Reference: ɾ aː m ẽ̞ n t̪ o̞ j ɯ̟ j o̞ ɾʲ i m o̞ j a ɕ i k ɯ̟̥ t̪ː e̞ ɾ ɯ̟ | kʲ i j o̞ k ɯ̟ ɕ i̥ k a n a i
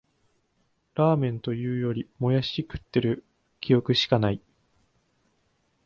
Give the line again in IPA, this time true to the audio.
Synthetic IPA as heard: ɾ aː m ẽ̞ n t̪ o̞ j ɯ̟ː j o̞ ɾʲ i m o̞ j a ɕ i k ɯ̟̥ t̪ː e̞ ɾ ɯ̟ | kʲ i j o̞ k ɯ̟ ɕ i̥ k a n a i